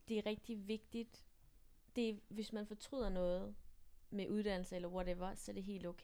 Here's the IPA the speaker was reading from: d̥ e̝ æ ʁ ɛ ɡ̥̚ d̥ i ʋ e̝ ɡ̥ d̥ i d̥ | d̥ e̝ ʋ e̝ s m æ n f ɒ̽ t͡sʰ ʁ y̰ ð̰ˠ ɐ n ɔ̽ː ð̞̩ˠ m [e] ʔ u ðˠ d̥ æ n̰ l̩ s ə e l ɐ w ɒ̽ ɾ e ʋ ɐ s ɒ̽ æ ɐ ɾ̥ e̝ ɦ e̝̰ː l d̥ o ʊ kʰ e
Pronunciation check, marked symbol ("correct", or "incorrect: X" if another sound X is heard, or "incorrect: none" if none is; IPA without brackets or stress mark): correct